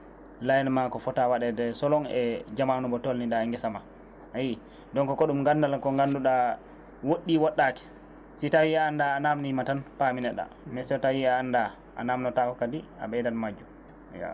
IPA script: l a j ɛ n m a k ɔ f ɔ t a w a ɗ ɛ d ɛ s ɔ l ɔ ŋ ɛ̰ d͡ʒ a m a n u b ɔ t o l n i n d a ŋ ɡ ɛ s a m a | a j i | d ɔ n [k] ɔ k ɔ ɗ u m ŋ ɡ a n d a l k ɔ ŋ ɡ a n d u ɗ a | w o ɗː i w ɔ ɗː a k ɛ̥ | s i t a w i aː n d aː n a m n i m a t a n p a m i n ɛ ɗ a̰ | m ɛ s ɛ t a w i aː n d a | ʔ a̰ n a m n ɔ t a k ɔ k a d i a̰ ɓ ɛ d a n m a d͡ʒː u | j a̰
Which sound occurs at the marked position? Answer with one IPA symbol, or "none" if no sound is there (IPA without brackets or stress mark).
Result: k